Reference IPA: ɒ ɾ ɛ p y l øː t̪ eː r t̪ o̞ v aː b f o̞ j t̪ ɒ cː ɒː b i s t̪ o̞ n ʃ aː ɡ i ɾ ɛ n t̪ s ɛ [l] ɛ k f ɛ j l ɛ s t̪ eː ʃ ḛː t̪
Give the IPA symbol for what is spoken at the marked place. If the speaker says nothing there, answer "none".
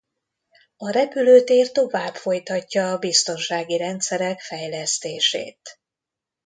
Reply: ɾ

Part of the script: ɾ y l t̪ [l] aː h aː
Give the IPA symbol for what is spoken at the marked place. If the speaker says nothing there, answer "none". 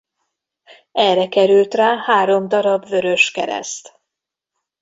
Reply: r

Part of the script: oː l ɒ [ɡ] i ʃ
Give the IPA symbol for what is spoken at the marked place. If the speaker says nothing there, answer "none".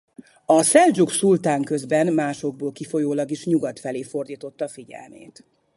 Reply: ɡ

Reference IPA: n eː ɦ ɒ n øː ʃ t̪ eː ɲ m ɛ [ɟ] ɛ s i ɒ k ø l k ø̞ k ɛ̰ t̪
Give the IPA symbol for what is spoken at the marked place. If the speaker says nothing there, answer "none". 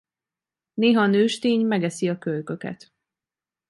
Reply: ɡ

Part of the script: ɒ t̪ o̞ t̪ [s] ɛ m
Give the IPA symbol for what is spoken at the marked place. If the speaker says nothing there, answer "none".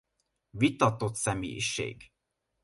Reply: s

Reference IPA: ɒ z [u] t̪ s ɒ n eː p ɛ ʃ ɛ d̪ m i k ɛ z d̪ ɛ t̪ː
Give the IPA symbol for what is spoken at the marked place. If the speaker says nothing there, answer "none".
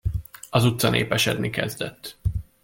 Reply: u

